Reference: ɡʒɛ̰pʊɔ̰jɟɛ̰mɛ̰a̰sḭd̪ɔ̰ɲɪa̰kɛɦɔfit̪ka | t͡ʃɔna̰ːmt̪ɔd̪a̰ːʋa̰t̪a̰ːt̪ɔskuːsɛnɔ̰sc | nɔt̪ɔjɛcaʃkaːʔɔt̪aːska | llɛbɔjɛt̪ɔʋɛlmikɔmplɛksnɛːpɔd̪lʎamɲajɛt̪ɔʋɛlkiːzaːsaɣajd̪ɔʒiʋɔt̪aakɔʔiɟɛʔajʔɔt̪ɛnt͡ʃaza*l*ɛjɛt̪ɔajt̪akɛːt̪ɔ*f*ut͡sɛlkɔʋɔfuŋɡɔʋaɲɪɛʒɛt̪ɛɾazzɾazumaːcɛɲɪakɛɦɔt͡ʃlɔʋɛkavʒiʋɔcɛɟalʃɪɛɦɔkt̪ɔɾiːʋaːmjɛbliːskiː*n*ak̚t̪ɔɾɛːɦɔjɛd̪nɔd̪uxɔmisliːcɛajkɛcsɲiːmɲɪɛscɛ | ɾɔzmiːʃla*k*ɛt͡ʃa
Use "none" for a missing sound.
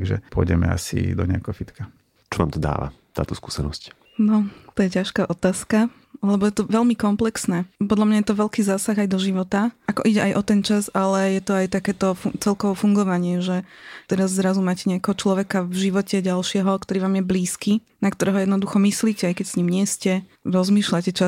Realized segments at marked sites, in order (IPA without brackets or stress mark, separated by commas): l, f, n, c